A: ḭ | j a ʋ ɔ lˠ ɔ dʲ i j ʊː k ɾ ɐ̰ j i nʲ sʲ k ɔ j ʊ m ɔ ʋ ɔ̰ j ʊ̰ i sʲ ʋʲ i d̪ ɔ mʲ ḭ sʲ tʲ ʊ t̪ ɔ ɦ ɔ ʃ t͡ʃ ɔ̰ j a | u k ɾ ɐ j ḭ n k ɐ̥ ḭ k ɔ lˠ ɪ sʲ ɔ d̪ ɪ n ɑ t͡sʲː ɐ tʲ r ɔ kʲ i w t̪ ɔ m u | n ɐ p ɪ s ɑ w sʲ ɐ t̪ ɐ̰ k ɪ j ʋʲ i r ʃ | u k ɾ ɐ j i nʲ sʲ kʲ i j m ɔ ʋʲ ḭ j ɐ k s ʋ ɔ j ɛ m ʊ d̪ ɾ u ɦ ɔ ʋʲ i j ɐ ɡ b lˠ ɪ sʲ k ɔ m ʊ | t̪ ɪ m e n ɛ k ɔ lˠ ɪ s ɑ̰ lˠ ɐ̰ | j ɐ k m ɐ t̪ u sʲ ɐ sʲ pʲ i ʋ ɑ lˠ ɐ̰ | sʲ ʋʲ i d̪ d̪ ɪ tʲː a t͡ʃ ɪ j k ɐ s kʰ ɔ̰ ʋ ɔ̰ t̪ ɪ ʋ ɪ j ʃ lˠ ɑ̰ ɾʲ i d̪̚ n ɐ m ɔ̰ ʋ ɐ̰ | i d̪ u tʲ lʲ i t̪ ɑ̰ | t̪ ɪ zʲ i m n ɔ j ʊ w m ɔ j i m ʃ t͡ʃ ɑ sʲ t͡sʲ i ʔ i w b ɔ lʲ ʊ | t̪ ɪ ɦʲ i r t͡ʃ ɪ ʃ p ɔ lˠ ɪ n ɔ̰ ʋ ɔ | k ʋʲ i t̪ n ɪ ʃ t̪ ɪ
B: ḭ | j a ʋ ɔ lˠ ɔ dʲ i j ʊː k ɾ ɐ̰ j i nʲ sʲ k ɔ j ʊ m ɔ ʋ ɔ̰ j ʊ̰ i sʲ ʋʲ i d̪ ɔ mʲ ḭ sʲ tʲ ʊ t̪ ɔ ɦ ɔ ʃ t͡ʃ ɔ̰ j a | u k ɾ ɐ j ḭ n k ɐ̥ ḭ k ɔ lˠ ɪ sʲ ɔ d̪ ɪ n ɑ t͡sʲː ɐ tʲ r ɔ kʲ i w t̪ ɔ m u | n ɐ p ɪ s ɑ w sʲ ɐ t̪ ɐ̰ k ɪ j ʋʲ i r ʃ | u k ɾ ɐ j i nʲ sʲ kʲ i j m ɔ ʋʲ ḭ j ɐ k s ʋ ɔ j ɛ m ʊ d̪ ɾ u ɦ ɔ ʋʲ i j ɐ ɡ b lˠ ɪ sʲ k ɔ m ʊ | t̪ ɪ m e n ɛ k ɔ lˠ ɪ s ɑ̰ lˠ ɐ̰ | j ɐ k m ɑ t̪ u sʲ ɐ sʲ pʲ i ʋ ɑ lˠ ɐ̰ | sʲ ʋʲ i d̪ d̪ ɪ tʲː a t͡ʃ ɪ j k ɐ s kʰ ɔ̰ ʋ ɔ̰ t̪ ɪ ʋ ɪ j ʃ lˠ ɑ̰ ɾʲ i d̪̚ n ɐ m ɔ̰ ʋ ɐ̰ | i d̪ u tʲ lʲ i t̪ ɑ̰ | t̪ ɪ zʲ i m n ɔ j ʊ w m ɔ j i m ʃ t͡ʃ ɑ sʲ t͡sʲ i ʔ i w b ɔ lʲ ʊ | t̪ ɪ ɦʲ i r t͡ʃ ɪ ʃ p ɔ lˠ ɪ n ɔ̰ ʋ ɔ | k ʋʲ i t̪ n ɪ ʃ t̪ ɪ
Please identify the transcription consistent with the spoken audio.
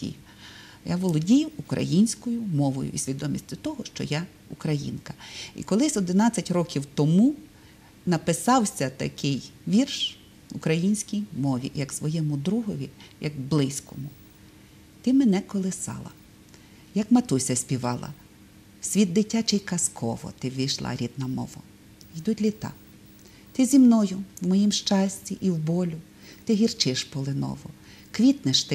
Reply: A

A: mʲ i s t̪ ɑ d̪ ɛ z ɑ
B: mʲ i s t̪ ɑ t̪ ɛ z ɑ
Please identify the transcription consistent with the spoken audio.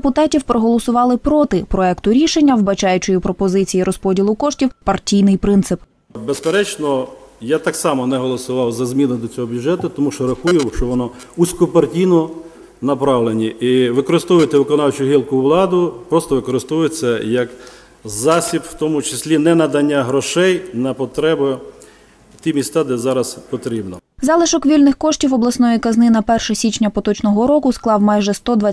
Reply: A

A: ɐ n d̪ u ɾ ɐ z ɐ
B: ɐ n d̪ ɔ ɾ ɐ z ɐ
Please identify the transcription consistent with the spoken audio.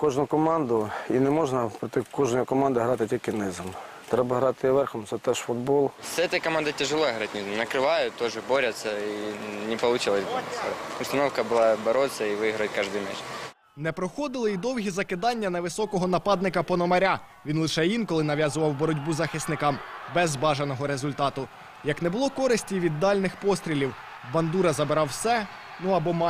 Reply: A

